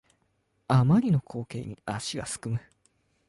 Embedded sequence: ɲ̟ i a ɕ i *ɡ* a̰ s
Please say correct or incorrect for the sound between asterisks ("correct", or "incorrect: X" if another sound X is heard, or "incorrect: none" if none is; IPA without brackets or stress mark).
correct